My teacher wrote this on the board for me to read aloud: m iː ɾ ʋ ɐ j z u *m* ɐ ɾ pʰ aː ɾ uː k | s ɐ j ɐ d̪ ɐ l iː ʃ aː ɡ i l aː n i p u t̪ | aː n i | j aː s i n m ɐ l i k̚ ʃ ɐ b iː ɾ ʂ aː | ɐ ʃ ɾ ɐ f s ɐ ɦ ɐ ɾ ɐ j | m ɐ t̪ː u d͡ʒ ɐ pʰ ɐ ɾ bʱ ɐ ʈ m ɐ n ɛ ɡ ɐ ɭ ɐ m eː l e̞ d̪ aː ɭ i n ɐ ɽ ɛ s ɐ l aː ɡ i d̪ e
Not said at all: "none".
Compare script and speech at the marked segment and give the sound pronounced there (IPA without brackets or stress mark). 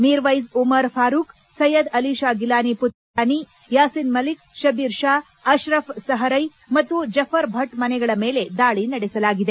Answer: m